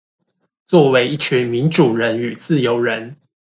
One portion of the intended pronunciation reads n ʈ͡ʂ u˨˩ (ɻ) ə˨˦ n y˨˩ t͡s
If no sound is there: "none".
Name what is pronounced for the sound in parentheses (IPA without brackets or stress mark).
ɻ